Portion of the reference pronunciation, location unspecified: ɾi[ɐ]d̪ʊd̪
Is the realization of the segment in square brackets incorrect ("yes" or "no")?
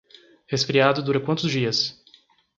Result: yes